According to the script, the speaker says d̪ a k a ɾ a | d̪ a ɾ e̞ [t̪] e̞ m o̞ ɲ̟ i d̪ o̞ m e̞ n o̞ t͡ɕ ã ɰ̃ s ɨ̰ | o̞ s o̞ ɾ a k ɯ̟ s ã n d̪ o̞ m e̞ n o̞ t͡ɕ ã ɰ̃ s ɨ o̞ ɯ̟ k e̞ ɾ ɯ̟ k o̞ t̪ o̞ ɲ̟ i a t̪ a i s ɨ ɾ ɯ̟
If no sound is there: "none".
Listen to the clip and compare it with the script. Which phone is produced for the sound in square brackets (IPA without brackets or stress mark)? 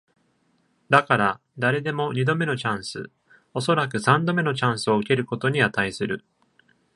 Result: d̪